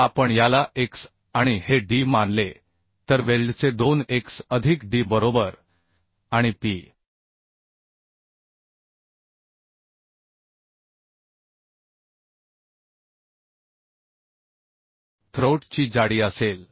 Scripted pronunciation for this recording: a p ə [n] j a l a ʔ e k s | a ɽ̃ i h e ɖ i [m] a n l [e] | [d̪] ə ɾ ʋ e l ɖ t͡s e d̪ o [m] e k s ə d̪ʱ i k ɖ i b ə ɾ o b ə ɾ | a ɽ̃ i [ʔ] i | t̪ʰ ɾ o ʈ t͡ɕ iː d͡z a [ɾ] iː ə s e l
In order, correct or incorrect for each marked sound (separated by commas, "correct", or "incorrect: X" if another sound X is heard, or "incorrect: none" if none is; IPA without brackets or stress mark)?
incorrect: ɳ, correct, correct, incorrect: t̪, incorrect: n, incorrect: p, incorrect: ɽ